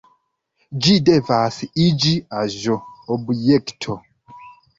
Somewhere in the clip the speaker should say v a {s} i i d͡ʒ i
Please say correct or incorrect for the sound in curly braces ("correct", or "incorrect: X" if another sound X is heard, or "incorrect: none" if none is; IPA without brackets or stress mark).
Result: correct